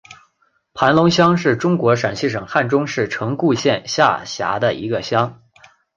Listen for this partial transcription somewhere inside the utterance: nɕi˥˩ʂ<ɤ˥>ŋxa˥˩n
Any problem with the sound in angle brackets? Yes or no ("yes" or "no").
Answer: yes